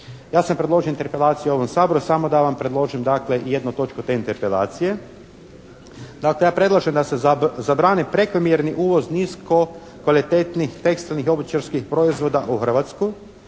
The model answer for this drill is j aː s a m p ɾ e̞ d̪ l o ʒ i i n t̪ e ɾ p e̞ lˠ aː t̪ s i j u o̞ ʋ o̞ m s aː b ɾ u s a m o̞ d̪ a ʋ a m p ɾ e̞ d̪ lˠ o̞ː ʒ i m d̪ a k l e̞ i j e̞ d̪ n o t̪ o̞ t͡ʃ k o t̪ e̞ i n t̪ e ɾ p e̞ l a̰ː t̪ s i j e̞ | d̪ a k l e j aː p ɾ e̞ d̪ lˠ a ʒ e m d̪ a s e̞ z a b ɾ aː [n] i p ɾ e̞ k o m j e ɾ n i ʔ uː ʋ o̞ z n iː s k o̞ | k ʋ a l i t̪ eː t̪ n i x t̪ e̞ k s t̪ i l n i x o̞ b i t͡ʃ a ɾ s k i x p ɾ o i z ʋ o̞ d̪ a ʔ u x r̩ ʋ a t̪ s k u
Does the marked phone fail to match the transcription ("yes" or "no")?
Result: no